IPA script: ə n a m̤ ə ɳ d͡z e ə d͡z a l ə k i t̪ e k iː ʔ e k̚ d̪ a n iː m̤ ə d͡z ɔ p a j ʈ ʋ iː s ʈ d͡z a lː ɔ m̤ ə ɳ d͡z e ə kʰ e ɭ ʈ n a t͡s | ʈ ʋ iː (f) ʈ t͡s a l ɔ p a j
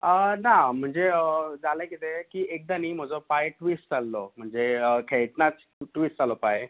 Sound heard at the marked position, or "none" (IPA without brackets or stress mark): s